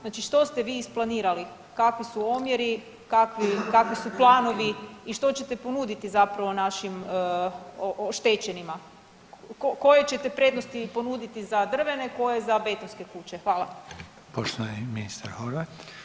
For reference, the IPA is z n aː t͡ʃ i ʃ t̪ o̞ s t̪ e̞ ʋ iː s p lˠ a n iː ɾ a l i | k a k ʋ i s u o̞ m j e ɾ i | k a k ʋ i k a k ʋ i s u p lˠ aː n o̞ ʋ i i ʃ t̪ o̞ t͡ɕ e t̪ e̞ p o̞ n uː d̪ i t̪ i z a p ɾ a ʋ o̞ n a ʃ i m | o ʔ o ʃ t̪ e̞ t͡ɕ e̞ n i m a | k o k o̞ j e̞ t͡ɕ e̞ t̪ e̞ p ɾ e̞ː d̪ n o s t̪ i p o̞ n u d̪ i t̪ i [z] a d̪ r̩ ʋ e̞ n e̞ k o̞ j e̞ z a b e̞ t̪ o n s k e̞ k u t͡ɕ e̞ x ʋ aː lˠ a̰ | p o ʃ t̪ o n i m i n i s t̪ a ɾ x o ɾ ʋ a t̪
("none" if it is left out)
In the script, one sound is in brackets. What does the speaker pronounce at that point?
z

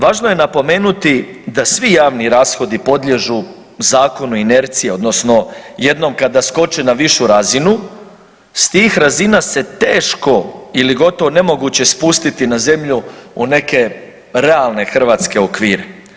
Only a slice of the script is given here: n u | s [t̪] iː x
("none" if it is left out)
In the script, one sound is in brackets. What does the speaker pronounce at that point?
t̪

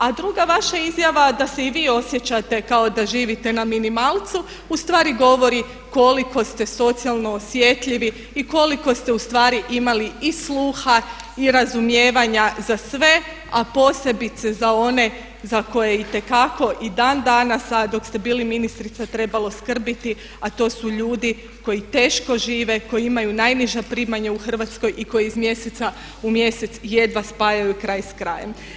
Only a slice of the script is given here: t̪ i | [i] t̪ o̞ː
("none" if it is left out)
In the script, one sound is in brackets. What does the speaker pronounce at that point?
a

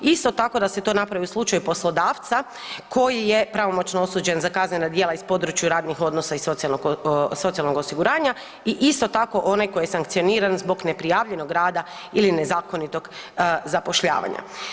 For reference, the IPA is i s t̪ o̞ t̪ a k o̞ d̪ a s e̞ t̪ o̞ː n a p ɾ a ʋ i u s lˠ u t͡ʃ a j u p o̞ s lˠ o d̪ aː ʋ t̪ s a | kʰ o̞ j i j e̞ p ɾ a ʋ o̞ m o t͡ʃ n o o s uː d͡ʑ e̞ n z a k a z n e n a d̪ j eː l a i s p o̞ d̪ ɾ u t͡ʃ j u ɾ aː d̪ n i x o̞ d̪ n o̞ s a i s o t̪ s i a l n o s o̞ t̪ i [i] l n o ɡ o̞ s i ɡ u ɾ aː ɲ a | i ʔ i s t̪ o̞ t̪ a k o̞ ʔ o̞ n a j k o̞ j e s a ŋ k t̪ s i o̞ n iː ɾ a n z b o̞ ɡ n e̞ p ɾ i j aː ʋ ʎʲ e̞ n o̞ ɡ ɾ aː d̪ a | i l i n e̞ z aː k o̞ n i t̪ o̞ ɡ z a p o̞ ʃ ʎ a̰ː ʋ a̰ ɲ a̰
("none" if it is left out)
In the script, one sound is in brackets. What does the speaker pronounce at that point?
a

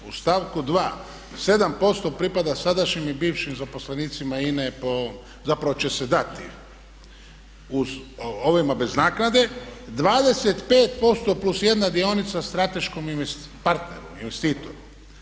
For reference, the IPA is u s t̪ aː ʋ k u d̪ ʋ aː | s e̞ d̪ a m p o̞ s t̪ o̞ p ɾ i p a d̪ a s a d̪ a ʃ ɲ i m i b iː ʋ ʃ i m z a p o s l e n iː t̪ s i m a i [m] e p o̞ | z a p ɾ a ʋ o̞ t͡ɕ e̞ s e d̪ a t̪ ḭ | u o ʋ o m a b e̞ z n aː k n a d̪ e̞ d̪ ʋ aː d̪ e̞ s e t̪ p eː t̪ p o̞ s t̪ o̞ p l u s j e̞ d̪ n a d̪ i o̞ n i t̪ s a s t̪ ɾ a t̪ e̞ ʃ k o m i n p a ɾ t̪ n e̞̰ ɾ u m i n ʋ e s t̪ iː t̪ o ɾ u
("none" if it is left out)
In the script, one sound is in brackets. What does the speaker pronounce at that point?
n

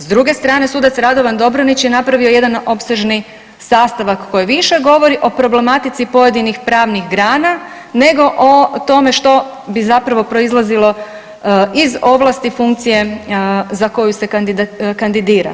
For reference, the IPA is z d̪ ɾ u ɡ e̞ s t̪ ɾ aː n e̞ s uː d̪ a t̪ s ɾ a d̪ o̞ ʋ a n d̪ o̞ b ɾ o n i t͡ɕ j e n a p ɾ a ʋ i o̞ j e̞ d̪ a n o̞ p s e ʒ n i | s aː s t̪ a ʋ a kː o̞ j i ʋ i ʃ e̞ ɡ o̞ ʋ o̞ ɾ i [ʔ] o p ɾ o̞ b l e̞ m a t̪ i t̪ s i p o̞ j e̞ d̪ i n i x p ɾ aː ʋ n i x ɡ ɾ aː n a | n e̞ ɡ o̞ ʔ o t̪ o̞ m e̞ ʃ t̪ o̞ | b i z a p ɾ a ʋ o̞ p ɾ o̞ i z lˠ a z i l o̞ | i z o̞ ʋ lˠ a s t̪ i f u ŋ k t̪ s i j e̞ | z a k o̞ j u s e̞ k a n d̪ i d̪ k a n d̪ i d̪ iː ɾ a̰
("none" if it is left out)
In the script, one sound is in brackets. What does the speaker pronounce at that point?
ʔ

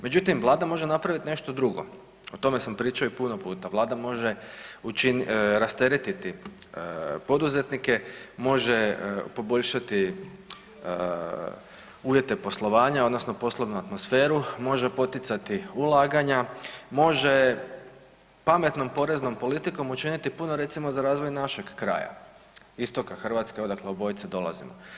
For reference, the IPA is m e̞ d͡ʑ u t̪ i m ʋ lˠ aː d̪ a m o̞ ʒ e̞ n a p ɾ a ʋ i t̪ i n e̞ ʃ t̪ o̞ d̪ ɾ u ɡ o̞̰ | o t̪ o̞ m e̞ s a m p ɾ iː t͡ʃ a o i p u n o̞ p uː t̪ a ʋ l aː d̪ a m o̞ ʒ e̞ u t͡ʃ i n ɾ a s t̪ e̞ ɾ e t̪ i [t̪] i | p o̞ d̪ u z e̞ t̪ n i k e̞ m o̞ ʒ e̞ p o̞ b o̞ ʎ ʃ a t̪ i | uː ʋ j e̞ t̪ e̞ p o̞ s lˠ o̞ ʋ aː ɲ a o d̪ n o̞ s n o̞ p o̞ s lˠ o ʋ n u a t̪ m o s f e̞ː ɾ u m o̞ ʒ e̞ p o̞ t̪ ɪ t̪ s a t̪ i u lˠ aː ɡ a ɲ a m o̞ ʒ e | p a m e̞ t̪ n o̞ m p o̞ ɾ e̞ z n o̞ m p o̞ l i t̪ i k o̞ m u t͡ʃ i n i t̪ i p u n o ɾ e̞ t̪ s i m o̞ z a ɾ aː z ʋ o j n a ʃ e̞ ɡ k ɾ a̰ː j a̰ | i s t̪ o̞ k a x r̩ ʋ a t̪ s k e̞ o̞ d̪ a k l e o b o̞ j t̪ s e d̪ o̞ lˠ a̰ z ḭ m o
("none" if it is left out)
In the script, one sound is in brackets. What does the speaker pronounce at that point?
t̪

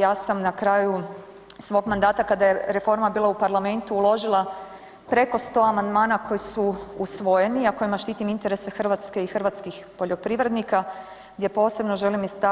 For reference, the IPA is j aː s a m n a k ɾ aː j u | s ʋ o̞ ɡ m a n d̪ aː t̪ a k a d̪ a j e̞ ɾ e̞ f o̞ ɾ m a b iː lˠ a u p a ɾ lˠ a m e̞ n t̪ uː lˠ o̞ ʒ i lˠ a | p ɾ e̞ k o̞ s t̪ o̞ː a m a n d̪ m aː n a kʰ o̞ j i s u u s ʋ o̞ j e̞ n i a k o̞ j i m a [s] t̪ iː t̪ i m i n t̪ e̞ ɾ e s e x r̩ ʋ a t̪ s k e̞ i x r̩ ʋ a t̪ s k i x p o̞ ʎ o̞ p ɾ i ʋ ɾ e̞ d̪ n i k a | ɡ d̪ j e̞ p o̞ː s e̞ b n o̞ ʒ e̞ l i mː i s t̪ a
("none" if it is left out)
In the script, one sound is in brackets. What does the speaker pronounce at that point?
ʃ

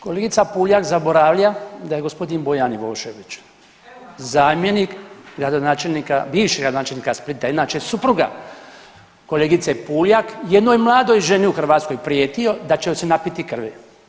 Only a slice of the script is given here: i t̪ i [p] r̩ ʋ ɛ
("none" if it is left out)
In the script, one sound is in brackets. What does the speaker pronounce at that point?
k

